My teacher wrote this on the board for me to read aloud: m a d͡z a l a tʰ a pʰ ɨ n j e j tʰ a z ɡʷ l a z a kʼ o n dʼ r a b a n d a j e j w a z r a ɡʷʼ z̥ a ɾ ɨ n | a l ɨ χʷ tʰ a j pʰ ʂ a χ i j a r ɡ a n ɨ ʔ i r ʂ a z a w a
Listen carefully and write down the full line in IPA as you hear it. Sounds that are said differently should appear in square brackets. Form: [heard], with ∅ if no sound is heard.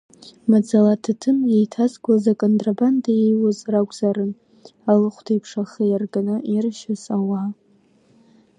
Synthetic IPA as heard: m a d͡z a l a tʰ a [tʰ] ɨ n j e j tʰ a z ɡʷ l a z a kʼ o n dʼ r a b a n d a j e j w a z r a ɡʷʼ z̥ a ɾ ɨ n | a l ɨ χʷ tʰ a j pʰ ʂ a χ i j a r ɡ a n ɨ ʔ i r [ʃ] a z a w a

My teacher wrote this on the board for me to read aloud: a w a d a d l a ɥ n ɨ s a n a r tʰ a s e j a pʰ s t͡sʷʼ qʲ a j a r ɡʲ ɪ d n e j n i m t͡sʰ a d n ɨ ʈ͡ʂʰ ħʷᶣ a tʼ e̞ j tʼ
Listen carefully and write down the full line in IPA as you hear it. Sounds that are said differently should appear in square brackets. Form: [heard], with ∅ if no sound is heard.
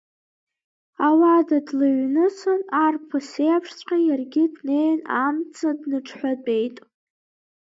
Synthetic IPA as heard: a w a d a d l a ɥ n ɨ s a n a r [pʰ] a s e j a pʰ [ʂ] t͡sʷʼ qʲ a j a r ɡʲ ɪ d n e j n [a] m t͡sʰ a d n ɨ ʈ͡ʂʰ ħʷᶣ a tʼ e̞ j tʼ

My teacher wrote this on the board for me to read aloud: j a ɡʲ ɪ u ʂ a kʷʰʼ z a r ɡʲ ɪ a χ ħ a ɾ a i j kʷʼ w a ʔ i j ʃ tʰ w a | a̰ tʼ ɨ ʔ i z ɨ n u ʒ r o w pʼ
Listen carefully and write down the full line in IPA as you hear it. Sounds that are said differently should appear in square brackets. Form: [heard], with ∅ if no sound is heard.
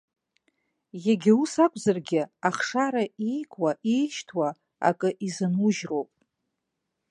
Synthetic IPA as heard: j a ɡʲ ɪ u [s] a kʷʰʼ z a r ɡʲ ɪ a χ [ʂ] a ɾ a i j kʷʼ w a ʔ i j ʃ tʰ w a | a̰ [kʼ] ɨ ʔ i z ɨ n u ʒ r o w pʼ

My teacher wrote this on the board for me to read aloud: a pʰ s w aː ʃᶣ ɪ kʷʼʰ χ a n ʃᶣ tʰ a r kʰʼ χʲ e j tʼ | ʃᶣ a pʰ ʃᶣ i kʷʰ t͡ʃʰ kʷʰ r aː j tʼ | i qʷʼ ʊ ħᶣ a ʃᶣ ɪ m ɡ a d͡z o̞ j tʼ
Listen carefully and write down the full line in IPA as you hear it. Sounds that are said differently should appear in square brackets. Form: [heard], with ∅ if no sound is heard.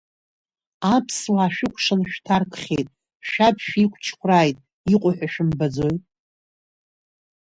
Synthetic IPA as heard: a pʰ s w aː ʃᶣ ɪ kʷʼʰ [ʂ] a n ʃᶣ tʰ a r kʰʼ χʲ e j tʼ | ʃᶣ a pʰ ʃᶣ i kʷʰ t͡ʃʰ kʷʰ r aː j tʼ | i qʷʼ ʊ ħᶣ a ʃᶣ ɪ m [b] a d͡z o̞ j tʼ

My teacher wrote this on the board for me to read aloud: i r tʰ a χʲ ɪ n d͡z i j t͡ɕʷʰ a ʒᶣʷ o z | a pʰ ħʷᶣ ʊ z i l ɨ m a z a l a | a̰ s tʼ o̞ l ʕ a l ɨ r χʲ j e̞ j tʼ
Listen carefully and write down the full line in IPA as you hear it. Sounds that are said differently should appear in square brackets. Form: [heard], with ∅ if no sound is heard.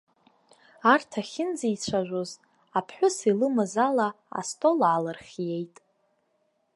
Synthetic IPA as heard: [a] r tʰ a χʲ ɪ n d͡z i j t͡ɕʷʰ a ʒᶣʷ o z | a pʰ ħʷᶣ ʊ [s] i l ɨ m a z a l a | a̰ s tʼ o̞ l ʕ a l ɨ r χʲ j e̞ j tʼ

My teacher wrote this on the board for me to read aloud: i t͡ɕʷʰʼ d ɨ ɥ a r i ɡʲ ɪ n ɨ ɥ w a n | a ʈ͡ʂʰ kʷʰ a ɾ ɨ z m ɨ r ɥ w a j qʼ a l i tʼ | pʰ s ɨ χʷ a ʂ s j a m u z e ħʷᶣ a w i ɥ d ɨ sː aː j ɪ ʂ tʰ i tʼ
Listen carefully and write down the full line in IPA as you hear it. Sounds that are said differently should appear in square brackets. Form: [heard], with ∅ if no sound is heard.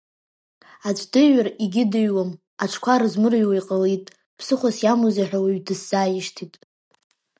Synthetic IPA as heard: [a] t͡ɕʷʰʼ d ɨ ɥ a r i ɡʲ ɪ [d] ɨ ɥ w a [m] | a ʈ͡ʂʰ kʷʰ a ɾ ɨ z m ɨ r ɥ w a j qʼ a l i tʼ | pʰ s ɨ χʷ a [∅] s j a m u z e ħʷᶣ a w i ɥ d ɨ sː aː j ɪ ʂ tʰ i tʼ

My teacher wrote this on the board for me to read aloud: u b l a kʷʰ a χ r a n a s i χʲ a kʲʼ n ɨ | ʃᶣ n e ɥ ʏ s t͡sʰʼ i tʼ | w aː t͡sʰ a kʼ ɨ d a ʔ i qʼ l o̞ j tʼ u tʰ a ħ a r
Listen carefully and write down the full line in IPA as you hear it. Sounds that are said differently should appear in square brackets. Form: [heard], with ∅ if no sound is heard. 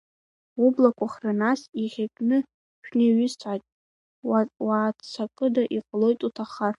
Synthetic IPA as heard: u b l a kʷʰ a χ r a n a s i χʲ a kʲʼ n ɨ | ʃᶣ n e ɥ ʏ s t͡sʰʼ [a] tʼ | w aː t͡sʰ a kʼ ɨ d a ʔ i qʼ l o̞ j tʼ u tʰ a [χ] a r

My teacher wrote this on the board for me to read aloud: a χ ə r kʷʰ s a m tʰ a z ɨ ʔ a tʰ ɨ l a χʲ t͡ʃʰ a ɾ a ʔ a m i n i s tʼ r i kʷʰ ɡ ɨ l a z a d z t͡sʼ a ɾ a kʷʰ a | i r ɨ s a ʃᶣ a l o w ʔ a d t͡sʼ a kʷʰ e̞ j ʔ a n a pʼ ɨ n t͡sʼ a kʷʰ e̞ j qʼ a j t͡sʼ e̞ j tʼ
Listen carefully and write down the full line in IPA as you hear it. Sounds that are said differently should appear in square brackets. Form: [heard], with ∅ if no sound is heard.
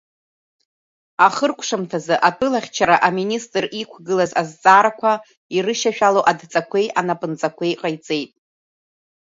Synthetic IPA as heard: a χ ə r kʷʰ [ʂ] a m tʰ a z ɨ ʔ a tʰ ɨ l a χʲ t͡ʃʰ a ɾ a ʔ a m i n i s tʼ r i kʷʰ ɡ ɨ l a z a [∅] z t͡sʼ a ɾ a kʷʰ a | i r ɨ [ʃ] a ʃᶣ a l o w ʔ a d t͡sʼ a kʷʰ e̞ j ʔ a n a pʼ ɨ n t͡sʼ a kʷʰ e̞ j qʼ a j t͡sʼ e̞ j tʼ

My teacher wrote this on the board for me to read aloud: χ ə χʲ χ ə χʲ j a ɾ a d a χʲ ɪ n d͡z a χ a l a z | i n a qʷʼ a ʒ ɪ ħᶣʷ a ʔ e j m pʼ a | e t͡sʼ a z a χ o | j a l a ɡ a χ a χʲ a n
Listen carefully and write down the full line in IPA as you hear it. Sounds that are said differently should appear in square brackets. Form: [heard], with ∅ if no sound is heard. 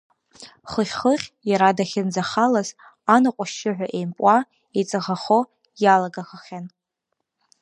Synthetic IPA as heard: χ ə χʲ χ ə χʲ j a ɾ a d a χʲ ɪ n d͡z a χ a l a z | [a] n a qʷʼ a [ʃ] ɪ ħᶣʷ a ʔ e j m pʼ a | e t͡sʼ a [ʁ] a χ o | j a l a ɡ a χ a χʲ a n

